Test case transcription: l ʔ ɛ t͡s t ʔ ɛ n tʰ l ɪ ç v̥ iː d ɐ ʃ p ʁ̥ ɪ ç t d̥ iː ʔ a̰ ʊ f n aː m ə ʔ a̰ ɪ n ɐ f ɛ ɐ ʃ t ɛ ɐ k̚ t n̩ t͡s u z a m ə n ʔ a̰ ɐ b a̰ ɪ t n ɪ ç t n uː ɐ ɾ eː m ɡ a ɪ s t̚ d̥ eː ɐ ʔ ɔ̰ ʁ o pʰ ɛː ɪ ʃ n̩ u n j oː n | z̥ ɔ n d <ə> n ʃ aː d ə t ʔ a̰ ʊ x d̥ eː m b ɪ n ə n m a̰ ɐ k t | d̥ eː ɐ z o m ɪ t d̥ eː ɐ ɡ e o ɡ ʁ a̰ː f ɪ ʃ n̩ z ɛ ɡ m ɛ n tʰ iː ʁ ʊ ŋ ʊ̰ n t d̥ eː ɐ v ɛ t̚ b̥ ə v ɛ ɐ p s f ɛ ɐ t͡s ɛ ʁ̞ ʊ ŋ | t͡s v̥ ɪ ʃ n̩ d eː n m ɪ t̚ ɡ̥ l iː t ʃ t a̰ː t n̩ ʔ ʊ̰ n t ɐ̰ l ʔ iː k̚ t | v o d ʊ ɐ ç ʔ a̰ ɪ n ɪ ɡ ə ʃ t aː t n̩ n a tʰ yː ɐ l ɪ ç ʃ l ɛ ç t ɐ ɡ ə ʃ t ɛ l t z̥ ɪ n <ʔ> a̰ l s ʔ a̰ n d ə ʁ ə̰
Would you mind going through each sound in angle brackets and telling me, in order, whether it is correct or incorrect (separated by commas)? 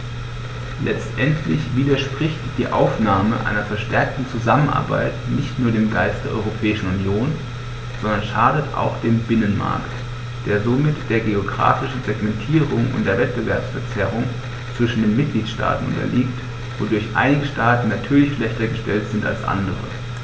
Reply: incorrect, incorrect